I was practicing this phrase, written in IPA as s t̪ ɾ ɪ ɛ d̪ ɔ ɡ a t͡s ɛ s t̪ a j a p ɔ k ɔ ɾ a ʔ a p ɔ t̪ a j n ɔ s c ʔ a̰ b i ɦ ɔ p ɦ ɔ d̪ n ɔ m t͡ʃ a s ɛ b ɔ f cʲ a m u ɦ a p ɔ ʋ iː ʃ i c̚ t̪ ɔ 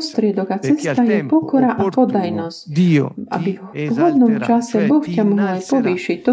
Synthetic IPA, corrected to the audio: s t̪ ɾ ɪ ɛ d̪ ɔ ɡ a t͡s ɛ s t̪ a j ɛ p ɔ k ɔ ɾ a ʔ a p ɔ d̪ a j n ɔ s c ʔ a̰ b i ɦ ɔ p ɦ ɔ d̪ n ɔ m t͡ʃ a s ɛ b ɔ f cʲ a m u ɦ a p ɔ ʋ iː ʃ i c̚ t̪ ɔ